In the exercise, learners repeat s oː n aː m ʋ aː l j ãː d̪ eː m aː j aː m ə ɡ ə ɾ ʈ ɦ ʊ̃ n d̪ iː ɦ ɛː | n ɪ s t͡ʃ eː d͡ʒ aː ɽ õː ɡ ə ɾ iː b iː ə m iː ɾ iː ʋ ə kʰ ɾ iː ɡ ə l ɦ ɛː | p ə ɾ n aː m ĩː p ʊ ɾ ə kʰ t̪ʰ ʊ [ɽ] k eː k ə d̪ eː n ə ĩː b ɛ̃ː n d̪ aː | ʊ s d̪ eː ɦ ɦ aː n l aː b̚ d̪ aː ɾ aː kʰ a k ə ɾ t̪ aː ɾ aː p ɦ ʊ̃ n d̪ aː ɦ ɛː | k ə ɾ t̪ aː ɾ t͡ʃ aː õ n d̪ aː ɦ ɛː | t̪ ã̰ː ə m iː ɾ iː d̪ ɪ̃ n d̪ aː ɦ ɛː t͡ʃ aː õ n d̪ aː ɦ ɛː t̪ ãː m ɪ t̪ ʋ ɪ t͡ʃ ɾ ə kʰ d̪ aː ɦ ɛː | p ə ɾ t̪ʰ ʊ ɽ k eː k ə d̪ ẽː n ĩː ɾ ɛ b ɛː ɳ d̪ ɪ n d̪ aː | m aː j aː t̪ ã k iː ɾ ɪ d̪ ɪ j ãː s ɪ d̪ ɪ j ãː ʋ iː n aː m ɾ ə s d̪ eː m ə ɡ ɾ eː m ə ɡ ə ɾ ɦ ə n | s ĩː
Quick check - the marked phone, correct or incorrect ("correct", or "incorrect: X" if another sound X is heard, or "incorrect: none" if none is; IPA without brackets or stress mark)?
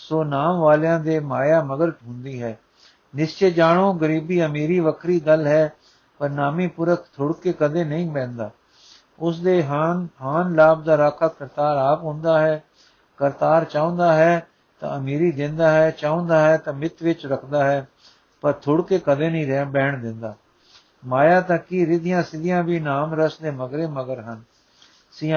correct